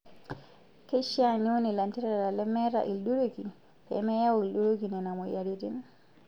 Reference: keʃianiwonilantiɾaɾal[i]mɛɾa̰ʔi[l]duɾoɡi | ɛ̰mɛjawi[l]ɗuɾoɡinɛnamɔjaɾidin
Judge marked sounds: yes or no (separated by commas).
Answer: no, yes, yes